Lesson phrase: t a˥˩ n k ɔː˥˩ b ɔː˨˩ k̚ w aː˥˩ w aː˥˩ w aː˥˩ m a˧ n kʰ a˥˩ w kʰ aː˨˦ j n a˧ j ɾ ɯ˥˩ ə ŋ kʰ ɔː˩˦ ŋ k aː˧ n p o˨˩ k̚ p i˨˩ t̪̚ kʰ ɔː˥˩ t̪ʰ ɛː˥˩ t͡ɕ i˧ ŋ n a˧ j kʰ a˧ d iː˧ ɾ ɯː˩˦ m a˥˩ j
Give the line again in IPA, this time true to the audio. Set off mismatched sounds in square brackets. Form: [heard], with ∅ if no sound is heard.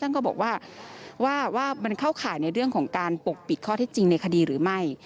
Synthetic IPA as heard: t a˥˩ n k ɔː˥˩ b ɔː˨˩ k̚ w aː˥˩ w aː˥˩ w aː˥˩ m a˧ n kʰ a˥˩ w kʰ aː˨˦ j n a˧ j ɾ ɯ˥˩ ə ŋ kʰ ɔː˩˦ ŋ k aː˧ n p o˨˩ k̚ p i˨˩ t̪̚ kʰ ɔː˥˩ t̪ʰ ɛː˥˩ t͡ɕ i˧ ŋ n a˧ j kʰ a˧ d iː˧ ɾ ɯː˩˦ m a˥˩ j